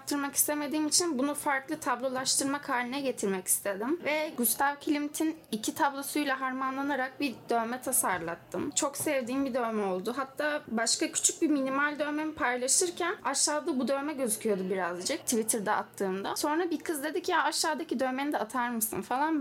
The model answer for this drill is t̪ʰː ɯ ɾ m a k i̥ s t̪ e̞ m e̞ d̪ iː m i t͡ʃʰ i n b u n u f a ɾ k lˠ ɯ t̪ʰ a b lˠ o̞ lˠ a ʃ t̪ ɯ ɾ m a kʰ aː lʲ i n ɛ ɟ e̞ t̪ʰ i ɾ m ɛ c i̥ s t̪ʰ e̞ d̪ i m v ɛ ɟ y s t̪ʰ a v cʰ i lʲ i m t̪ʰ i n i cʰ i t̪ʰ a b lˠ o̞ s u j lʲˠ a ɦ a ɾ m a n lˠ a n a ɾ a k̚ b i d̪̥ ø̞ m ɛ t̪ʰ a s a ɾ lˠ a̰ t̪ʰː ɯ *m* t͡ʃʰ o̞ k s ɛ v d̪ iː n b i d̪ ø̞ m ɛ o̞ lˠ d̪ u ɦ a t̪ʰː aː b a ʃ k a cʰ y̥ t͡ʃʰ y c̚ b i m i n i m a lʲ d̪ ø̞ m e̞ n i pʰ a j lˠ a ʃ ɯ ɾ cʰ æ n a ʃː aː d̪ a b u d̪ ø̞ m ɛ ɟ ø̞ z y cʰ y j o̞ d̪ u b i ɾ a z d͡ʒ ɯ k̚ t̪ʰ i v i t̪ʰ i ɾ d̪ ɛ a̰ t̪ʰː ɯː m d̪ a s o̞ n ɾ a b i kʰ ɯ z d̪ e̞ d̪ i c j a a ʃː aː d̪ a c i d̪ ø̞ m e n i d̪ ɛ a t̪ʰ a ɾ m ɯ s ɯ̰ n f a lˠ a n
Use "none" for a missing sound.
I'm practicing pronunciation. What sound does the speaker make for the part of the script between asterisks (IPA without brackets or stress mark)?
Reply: m